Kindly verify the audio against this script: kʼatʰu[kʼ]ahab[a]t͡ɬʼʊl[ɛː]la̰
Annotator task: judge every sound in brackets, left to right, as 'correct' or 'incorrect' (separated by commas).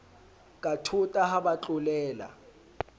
incorrect, correct, correct